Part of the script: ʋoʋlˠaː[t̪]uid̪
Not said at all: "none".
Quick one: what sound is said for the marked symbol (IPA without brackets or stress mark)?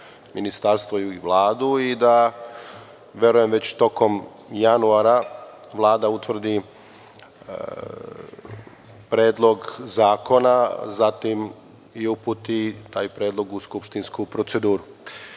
d̪